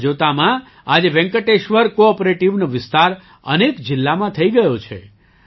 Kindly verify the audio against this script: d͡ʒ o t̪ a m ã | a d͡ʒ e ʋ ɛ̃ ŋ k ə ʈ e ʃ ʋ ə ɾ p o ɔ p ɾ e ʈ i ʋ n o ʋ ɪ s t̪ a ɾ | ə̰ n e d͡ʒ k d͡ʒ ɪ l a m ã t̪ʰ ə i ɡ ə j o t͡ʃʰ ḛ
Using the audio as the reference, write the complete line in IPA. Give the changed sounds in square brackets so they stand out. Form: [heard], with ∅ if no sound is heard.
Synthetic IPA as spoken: d͡ʒ o t̪ a m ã | a d͡ʒ e ʋ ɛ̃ ŋ k ə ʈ e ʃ ʋ ə ɾ [k] o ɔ p ɾ e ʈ i ʋ n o ʋ ɪ s t̪ a ɾ | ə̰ n e [∅] k d͡ʒ ɪ [lː] a m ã t̪ʰ ə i ɡ ə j o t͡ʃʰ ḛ